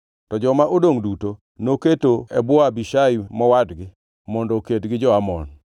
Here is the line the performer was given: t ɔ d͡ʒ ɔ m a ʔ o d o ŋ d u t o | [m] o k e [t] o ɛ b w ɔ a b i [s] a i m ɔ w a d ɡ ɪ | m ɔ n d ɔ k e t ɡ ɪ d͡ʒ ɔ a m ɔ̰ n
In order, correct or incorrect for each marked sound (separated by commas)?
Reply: incorrect, correct, incorrect